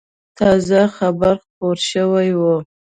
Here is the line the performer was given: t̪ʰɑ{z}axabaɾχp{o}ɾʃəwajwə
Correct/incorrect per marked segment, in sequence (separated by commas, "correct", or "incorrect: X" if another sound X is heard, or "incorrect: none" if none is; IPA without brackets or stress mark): correct, correct